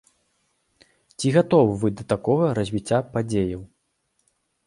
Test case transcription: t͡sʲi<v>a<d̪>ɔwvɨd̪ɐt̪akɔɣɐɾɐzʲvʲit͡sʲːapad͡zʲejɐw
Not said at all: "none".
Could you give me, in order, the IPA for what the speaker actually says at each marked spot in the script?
ɣ, t̪

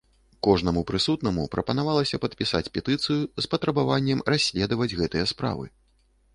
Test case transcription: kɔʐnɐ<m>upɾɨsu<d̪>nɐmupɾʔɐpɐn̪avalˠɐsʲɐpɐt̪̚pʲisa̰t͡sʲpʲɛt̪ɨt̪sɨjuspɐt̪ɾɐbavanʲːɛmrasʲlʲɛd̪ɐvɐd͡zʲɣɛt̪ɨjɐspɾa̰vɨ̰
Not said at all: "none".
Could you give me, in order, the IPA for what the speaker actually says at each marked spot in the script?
m, t̪

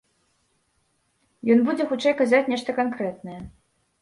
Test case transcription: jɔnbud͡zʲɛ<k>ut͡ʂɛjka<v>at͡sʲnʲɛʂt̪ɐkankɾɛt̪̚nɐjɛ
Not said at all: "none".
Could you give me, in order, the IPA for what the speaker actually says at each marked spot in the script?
x, z

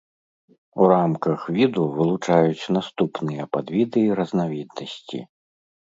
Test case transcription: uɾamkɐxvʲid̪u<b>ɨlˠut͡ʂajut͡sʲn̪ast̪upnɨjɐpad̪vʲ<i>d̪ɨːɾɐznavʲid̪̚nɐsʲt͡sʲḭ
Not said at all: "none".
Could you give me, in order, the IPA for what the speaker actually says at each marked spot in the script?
v, i

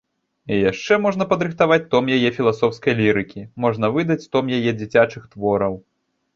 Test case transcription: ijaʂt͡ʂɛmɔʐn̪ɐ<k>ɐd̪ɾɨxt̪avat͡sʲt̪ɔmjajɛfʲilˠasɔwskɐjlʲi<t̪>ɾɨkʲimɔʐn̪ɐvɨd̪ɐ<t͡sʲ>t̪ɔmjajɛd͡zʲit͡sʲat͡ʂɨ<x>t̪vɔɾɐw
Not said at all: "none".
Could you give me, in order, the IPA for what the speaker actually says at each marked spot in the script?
p, none, t͡sʲ, x

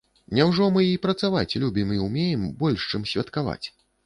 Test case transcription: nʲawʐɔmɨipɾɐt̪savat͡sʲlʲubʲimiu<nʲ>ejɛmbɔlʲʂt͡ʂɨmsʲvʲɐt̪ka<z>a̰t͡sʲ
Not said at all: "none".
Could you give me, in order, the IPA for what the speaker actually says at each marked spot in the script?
mʲ, v

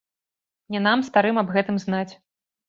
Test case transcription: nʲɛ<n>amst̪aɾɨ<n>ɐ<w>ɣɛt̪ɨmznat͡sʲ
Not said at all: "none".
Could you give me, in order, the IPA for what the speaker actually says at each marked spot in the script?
n, m, b

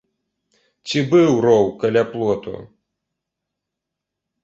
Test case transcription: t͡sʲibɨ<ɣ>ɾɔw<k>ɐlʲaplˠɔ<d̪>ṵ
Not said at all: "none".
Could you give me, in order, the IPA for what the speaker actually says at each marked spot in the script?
w, k, t̪

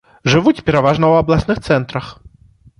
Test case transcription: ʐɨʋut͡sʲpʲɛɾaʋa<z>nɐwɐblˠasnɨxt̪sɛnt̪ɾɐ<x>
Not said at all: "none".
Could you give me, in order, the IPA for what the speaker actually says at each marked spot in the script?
ʐ, x

